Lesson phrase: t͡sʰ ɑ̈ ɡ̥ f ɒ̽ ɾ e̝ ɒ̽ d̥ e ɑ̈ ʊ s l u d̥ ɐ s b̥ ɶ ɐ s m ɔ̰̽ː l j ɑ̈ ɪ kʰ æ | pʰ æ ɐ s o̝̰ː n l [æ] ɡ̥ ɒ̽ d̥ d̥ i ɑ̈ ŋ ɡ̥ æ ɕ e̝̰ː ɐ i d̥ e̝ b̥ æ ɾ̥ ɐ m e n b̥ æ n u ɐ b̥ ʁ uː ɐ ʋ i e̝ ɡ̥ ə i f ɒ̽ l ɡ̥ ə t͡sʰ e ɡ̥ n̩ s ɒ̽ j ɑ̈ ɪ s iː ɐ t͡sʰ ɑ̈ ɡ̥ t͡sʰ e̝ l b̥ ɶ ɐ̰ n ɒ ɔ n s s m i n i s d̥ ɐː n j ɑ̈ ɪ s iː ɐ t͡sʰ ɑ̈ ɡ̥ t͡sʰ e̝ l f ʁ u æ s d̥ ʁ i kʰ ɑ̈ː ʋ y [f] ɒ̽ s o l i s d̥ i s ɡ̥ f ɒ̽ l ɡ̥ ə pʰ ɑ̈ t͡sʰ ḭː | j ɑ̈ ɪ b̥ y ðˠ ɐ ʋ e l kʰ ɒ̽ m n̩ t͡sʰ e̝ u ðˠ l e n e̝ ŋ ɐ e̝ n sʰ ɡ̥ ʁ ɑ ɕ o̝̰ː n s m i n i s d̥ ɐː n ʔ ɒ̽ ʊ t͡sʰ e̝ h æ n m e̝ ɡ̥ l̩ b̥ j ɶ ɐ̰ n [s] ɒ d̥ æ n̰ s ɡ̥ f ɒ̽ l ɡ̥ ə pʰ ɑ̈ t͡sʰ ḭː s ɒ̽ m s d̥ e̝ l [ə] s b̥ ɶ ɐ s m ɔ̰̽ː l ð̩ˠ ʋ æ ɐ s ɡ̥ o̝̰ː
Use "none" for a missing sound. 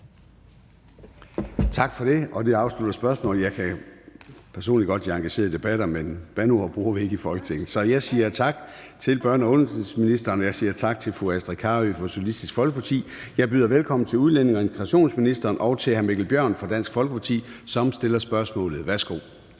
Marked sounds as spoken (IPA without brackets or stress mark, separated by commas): i, f, f, ɐ